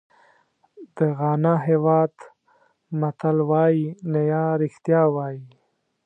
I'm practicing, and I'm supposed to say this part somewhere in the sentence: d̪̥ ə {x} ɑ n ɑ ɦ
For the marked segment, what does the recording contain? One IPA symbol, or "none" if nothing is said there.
ɣ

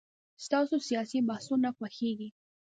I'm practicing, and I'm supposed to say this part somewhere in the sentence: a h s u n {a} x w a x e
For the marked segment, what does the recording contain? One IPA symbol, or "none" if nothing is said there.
a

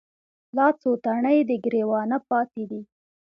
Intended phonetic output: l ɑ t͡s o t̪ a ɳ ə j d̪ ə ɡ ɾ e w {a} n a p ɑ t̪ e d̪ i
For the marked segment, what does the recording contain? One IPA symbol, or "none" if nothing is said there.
ɑ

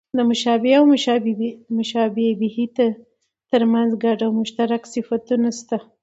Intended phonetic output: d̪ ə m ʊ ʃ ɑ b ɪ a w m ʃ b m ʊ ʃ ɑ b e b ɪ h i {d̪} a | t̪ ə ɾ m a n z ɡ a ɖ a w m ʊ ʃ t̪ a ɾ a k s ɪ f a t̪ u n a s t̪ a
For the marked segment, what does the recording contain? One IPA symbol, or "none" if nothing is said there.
t̪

